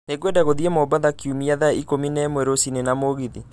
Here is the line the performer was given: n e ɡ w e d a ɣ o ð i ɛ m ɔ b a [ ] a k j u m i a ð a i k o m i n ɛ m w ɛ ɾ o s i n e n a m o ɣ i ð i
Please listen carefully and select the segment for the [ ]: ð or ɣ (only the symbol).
ð